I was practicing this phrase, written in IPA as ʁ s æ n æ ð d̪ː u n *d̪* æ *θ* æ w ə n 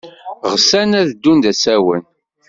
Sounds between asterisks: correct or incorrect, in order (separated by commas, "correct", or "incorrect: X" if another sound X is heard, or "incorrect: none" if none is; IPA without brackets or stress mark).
correct, incorrect: s